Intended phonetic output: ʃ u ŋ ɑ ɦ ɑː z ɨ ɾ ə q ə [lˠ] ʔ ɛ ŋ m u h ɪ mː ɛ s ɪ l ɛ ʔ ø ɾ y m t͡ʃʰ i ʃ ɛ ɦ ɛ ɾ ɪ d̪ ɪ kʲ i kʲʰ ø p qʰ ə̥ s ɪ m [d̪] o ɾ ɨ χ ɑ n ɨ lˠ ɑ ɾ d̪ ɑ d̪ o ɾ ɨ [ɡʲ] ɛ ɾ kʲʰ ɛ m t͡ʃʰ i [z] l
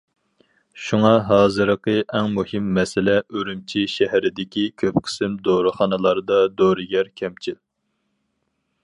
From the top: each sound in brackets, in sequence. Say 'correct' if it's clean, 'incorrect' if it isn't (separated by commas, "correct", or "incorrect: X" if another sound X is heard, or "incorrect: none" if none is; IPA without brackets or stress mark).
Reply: incorrect: none, correct, correct, incorrect: none